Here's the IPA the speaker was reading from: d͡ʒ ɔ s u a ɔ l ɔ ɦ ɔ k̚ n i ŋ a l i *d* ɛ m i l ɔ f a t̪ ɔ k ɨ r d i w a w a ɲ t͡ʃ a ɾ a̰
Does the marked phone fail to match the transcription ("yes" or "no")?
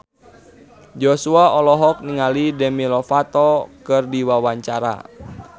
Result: no